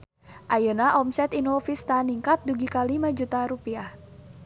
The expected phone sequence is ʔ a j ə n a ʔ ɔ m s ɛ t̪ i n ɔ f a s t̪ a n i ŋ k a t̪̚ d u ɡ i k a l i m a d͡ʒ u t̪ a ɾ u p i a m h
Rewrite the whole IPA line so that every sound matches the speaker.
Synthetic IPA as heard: ʔ a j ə n a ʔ ɔ m s ɛ t̪ i n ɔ f i s t̪ a n i ŋ k a t̪̚ d u ɡ i k a l i m a d͡ʒ u t̪ a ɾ u p i a h

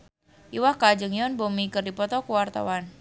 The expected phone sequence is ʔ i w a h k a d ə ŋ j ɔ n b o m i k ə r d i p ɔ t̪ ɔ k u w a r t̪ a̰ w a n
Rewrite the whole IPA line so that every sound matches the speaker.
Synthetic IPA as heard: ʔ i w a h k a d͡ʒ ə ŋ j ɔ n b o m i k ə r d i p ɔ t̪ ɔ k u w a r t̪ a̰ w a n

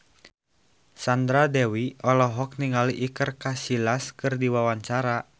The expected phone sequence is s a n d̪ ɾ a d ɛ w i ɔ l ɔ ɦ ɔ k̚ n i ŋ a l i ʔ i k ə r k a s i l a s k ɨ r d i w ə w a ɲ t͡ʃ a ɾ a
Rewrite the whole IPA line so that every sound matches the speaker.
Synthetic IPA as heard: s a n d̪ ɾ a d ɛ w i ɔ l ɔ ɦ ɔ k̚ n i ŋ a l i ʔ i k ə r k a s i l a s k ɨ r d i w a w a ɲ t͡ʃ a ɾ a

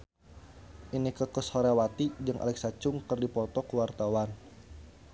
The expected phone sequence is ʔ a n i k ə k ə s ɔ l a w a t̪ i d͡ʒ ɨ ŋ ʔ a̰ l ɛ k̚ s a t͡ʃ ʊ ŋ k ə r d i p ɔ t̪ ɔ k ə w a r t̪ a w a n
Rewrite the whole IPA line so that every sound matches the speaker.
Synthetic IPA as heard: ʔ i n i k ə k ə s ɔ ɾ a w a t̪ i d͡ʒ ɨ ŋ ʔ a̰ l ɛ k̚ s a t͡ʃ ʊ ŋ k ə r d i p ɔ t̪ ɔ k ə w a r t̪ a w a n

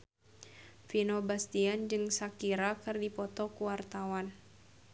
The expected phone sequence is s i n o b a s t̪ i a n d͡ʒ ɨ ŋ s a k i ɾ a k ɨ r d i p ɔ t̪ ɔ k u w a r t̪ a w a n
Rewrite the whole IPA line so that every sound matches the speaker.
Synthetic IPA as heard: f i n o b a s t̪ i a n d͡ʒ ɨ ŋ s a k i ɾ a k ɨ r d i p ɔ t̪ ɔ k u w a r t̪ a w a n

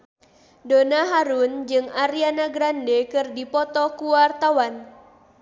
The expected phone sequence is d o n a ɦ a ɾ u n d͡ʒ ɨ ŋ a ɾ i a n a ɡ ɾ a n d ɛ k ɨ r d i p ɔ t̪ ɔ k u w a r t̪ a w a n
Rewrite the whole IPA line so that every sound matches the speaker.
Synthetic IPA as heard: d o n a ɦ a ɾ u n d͡ʒ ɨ ŋ a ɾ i a n a ɡ ɾ a n d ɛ k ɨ r d i p ɔ t̪ ɔ k u w a r t̪ a w a n

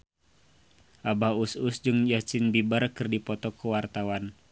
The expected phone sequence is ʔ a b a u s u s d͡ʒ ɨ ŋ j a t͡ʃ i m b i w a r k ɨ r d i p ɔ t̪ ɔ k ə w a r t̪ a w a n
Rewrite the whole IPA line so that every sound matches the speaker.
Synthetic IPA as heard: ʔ a b a u s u s d͡ʒ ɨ ŋ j a t͡ʃ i n b i b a r k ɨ r d i p ɔ t̪ ɔ k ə w a r t̪ a w a n

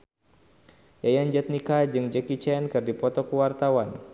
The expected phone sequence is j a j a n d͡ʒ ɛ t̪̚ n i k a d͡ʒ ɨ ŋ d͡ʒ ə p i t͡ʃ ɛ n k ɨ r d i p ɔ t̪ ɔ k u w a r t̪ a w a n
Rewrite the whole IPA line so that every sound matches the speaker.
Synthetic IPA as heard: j a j a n d͡ʒ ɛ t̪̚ n i k a d͡ʒ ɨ ŋ d͡ʒ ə k i t͡ʃ ɛ n k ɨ r d i p ɔ t̪ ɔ k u w a r t̪ a w a n

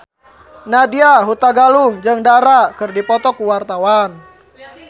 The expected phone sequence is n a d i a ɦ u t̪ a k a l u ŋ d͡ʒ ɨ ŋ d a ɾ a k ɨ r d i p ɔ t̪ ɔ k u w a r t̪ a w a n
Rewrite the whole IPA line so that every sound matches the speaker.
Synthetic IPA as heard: n a d i a ɦ u t̪ a ɡ a l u ŋ d͡ʒ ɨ ŋ d a ɾ a k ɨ r d i p ɔ t̪ ɔ k u w a r t̪ a w a n

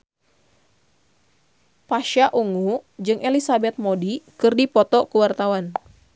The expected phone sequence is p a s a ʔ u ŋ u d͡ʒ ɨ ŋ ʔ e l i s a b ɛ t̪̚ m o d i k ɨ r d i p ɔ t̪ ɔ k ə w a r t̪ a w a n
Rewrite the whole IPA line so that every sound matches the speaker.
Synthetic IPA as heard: p a ʃ a ʔ u ŋ u d͡ʒ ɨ ŋ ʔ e l i s a b ɛ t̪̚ m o d i k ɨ r d i p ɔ t̪ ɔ k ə w a r t̪ a w a n

